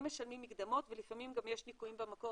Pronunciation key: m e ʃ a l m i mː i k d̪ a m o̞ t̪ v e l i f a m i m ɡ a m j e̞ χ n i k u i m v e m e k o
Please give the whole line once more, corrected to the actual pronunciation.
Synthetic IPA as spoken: m e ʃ a l m i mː i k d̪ a m o̞ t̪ v e l i f a m i m ɡ a m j e̞ ʃ n i k u i m b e m a k o